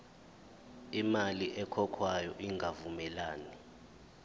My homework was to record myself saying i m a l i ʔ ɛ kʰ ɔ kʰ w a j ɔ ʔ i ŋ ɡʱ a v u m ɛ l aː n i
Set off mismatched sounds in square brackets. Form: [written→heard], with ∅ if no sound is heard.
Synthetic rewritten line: i m a l i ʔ ɛ kʰ ɔ kʰ w a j ɔ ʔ i ŋ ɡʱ a v u m ɛ l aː n i